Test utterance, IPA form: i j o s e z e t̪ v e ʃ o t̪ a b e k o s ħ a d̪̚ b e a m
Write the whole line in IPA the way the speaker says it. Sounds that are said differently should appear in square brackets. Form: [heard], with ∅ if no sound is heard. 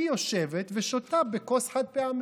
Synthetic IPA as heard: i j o [ʃ] e [v] e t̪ v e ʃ o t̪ a b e k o s ħ a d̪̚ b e a m